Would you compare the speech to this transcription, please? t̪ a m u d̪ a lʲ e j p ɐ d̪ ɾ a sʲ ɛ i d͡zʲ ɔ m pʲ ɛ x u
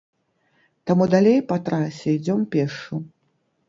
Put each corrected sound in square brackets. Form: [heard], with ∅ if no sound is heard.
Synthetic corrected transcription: t̪ a m u d̪ a lʲ e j p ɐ [t̪] ɾ a sʲ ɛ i d͡zʲ ɔ m pʲ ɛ [ʂ] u